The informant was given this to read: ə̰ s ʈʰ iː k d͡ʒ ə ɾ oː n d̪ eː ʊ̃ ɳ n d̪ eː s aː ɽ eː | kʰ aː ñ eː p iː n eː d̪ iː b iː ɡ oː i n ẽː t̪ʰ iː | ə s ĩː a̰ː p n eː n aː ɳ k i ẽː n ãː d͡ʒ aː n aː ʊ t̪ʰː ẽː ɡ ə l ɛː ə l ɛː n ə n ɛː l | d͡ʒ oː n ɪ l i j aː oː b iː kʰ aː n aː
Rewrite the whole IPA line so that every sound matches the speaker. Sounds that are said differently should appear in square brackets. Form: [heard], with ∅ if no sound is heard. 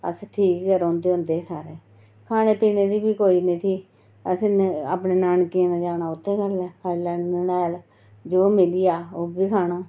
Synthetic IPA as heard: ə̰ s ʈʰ iː k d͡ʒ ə ɾ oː n d̪ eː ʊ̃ [∅] n d̪ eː s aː [ɾ] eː | kʰ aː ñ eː p iː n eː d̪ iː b iː [k] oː i n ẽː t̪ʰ iː | ə s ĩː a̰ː p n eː n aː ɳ k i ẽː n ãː d͡ʒ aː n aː ʊ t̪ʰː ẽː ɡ ə l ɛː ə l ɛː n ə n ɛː l | d͡ʒ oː [m] ɪ l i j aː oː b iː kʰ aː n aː